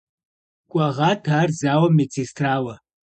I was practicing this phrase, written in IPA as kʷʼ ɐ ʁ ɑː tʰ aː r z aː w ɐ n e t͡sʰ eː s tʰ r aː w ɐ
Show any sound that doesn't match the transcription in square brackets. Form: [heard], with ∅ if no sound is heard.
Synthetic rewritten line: kʷʼ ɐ ʁ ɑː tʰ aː r z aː w ɐ [m] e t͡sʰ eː s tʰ r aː w ɐ